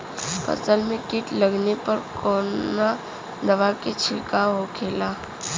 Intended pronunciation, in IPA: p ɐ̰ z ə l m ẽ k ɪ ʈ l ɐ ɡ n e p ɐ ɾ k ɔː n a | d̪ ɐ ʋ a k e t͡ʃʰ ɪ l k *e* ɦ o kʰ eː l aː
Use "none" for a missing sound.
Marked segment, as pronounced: a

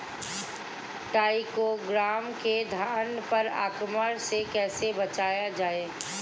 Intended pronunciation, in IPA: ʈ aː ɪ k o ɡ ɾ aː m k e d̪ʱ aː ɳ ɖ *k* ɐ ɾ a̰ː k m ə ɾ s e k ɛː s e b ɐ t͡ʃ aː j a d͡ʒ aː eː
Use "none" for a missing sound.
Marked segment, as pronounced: p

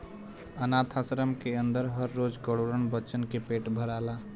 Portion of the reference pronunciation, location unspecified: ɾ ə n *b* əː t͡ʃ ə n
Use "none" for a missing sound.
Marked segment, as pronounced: b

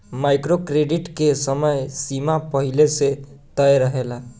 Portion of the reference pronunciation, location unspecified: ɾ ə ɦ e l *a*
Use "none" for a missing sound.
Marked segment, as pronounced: a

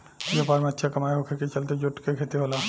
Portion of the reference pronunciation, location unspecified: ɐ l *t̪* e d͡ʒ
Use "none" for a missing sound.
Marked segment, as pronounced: t̪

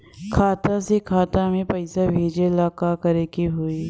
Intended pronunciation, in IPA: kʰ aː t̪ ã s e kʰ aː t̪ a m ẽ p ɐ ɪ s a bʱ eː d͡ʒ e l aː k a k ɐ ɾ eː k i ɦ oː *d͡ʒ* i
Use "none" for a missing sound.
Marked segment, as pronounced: none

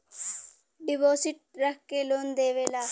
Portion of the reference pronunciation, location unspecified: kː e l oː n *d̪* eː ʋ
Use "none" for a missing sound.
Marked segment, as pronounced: d̪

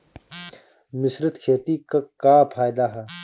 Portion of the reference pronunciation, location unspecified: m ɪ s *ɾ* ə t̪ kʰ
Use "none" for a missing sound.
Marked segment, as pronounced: ɾ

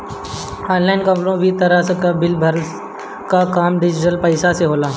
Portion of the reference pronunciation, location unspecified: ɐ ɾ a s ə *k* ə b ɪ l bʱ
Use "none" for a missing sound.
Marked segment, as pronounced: k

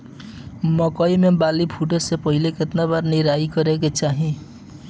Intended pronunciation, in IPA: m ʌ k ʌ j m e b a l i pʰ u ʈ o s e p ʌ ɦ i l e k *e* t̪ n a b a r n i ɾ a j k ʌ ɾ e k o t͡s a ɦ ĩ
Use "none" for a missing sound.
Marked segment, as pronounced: e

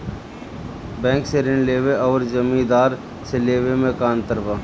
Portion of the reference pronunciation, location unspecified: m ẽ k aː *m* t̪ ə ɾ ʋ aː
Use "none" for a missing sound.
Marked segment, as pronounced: n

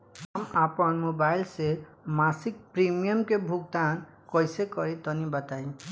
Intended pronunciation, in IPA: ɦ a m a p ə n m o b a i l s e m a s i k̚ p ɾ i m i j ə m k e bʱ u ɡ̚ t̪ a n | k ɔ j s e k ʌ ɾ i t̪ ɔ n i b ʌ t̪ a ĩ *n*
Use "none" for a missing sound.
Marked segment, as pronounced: none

